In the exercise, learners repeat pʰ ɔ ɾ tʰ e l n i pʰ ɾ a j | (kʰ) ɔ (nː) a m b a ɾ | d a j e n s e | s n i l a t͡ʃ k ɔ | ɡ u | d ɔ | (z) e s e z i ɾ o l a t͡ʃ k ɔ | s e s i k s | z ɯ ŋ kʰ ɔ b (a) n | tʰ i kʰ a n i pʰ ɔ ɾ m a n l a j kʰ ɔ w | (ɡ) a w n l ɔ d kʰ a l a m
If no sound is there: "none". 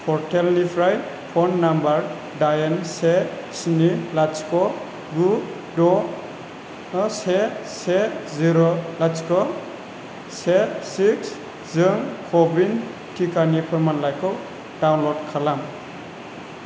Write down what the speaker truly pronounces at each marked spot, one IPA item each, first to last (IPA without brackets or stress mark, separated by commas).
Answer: pʰ, nː, s, i, d